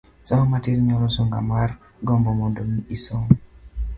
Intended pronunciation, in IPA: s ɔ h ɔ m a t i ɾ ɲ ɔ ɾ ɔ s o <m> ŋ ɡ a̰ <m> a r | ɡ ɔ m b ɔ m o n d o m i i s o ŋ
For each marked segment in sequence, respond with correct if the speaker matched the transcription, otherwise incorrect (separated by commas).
incorrect, correct